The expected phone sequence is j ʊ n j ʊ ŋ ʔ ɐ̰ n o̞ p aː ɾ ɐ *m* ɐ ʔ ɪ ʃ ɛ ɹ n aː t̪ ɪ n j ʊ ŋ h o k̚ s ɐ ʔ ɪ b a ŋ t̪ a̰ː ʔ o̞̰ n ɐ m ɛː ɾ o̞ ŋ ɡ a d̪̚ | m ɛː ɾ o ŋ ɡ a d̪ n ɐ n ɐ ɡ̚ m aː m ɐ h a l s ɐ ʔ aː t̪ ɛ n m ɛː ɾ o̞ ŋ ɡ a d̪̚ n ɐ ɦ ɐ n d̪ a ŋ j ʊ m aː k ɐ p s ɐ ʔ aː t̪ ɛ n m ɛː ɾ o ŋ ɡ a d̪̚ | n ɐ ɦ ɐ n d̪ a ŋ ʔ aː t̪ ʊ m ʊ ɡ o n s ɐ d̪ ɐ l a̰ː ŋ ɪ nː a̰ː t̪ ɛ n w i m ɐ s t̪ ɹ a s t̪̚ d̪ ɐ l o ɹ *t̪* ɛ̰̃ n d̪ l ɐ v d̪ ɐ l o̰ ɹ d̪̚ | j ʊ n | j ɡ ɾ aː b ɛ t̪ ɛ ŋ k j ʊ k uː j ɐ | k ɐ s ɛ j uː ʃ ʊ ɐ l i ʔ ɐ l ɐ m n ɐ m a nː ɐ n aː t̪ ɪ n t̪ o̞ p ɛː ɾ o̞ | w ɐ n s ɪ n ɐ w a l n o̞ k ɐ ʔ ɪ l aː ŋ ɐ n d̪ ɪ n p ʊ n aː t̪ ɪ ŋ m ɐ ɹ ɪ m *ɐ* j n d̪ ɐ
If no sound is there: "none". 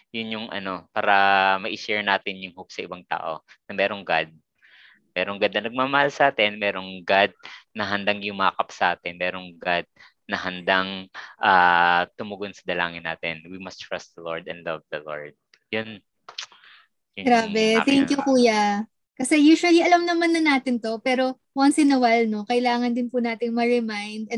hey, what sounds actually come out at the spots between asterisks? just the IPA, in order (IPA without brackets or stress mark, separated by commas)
m, d̪, a